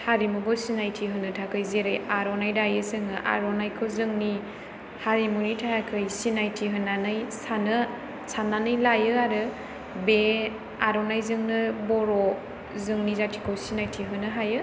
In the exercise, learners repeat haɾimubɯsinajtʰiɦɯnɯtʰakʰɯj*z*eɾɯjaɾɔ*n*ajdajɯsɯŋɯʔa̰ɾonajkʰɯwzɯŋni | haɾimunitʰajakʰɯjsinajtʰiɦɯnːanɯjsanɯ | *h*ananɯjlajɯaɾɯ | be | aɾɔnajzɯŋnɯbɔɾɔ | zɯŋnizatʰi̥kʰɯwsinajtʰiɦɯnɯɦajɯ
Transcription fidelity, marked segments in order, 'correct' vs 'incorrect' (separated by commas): correct, correct, incorrect